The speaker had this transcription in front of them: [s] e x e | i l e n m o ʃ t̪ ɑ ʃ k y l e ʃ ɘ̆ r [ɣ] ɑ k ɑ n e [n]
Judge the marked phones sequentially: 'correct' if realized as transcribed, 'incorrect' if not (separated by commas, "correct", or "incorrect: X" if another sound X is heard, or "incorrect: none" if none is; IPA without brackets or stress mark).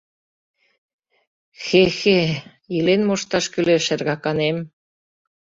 incorrect: x, correct, incorrect: m